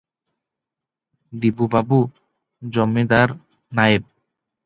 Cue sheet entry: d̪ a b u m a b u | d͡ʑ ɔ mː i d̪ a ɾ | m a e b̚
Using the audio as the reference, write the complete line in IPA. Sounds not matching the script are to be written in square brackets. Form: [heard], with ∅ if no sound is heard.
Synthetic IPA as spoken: d̪ [i] b u [b] a b u | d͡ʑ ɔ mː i d̪ a ɾ | [n] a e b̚

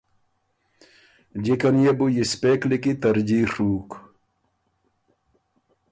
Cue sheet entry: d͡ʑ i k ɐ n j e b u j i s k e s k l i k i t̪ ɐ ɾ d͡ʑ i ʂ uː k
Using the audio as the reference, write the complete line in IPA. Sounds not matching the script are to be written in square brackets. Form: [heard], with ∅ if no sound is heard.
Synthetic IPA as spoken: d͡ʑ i k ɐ n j e b u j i s [p] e [∅] k l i k i t̪ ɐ ɾ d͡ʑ i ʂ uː k

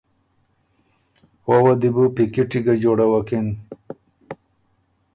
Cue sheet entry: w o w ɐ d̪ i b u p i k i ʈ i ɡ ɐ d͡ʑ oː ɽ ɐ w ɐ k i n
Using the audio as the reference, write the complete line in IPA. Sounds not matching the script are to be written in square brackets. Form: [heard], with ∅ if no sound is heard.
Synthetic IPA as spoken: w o w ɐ d̪ i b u p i k i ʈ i ɡ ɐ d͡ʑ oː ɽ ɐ w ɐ k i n

